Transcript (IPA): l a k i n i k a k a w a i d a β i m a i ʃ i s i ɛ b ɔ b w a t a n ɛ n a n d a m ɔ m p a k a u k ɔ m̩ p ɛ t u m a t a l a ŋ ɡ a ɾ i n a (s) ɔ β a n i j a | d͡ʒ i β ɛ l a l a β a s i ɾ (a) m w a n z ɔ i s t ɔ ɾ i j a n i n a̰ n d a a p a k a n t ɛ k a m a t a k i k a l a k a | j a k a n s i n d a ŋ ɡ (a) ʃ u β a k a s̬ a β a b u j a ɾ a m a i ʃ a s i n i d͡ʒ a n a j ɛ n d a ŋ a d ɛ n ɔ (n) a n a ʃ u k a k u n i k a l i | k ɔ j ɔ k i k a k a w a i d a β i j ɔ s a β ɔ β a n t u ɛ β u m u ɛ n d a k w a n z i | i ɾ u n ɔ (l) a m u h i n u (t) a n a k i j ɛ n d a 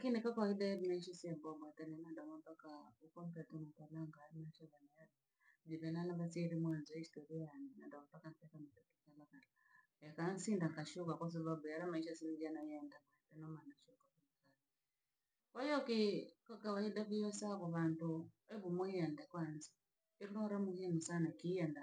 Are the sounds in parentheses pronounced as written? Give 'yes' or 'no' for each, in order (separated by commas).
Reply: no, no, yes, no, no, no